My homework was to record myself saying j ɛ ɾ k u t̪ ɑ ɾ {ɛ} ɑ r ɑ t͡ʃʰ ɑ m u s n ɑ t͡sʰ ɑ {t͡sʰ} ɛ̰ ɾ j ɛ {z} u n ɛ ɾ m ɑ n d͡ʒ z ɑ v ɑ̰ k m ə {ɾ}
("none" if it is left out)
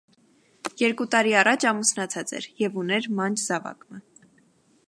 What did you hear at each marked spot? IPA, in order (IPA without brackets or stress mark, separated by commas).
i, t͡s, v, none